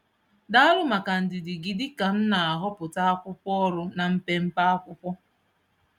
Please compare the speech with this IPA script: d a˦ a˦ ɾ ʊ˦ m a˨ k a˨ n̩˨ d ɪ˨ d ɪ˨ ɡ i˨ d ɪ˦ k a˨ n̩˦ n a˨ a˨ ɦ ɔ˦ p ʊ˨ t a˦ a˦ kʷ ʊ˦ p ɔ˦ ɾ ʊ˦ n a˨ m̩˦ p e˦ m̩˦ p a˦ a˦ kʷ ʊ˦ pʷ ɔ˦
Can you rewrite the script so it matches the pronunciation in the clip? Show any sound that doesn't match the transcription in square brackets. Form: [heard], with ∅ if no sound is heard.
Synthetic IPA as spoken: d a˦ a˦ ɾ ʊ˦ m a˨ k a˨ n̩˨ d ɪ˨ d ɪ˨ ɡ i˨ d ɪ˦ k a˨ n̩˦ n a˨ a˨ ɦ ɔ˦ p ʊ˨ t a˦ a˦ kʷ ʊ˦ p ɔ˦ ɾ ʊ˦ n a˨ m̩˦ p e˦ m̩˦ p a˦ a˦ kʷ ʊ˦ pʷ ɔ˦